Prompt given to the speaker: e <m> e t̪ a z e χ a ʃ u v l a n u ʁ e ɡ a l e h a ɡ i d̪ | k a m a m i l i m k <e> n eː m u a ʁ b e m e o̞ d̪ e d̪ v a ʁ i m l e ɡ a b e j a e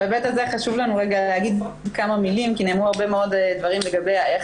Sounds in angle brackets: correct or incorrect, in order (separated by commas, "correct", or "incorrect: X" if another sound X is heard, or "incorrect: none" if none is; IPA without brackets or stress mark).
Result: incorrect: b, incorrect: i